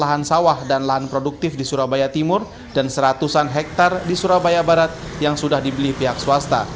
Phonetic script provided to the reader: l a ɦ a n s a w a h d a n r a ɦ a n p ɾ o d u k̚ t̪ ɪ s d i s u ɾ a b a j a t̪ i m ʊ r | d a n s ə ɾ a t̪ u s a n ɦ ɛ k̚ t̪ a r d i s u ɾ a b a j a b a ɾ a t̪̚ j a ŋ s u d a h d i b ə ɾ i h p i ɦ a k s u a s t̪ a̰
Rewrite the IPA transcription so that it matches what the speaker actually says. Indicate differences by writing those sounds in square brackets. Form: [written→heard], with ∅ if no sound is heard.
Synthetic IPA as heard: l a ɦ a n s a w a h d a n [r→l] a ɦ a n p ɾ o d u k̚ t̪ ɪ [s→f] d i s u ɾ a b a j a t̪ i m ʊ r | d a n s ə ɾ a t̪ u s a n ɦ ɛ k̚ t̪ a r d i s u ɾ a b a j a b a ɾ a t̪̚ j a ŋ s u d a h d i b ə [ɾ→l] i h p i ɦ a k s u a s t̪ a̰